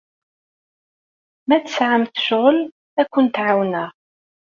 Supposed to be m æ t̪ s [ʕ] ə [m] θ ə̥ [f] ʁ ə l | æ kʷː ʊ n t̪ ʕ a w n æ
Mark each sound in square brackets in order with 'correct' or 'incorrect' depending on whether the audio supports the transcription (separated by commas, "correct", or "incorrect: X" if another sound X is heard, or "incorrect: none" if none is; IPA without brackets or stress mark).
correct, correct, incorrect: ʃ